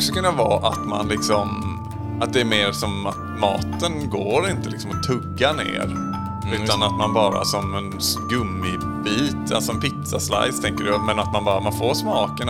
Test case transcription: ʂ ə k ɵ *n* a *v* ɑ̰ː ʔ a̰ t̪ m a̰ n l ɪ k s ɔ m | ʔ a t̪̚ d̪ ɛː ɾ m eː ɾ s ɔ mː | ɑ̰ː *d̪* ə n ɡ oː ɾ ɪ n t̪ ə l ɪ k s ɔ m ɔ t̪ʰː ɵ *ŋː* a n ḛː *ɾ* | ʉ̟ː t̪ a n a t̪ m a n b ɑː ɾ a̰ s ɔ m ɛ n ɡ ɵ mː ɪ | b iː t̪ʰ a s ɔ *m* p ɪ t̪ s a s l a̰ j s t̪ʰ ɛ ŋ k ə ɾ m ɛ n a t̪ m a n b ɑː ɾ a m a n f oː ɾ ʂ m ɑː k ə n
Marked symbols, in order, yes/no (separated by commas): no, yes, no, no, yes, yes